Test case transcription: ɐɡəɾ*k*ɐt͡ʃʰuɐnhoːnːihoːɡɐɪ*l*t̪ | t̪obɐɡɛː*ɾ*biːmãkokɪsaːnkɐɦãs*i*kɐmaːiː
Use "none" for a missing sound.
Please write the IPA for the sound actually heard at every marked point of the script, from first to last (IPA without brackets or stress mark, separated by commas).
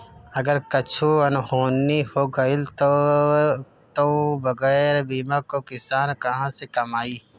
k, l, ɾ, e